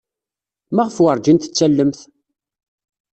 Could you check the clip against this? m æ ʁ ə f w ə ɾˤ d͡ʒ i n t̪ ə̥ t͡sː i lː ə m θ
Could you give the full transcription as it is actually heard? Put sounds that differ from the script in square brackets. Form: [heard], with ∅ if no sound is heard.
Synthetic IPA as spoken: m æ ʁ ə f w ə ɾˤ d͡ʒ i n t̪ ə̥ t͡sː [æ] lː ə m θ

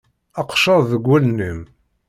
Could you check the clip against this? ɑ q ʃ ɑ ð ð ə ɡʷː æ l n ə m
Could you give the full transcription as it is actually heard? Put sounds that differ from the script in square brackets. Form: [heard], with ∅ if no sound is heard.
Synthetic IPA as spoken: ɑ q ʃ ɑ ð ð ə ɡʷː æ l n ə m

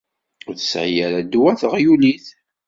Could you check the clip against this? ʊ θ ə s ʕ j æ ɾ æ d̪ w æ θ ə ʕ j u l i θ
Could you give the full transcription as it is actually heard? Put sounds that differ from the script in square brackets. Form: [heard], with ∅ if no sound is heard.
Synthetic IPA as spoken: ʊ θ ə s ʕ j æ ɾ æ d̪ w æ θ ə [ʁ] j u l i θ

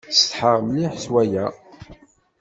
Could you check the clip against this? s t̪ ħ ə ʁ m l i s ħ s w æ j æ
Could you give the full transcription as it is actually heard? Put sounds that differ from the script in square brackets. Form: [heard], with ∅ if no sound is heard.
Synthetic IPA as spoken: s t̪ ħ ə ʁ m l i [∅] ħ s w æ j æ

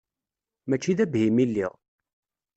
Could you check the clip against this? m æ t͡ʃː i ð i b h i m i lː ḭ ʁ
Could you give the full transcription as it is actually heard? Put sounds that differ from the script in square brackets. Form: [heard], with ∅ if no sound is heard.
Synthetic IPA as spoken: m æ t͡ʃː i ð [æ] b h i m i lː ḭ ʁ

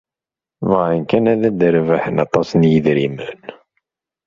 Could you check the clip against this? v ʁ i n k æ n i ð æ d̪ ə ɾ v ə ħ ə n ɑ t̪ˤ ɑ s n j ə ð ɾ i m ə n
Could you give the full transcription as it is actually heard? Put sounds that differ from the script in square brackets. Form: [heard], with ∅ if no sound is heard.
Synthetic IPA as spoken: v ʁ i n k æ n [æ] ð æ d̪ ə ɾ v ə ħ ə n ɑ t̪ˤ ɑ s n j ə ð ɾ i m ə n

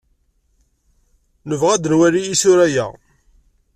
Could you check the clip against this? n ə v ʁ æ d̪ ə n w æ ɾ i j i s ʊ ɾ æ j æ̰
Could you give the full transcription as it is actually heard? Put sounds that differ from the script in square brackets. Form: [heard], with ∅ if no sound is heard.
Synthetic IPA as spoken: n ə v ʁ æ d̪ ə n w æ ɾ i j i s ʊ ɾ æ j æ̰

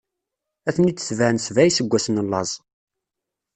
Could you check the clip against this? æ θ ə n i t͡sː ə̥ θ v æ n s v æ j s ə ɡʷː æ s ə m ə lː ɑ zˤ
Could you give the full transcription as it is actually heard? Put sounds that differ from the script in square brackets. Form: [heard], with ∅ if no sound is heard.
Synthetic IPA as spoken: æ θ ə n i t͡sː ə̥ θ v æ n s v æ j s ə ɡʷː æ s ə [n] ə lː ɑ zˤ

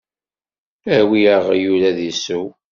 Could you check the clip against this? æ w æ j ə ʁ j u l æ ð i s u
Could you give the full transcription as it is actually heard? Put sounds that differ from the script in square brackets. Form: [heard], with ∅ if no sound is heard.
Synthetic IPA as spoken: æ w [i] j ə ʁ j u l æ ð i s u

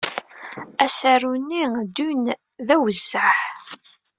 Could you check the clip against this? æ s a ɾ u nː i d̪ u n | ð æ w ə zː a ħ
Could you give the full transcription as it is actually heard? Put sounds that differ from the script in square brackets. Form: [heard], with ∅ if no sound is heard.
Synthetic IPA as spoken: æ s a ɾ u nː i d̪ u n | ð æ w ə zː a ħ

